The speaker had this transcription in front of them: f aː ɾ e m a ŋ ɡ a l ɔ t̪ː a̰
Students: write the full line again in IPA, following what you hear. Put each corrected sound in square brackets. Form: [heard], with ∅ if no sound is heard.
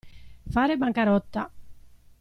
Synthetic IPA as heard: f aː ɾ e [b] a ŋ [k] a [ɾ] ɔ t̪ː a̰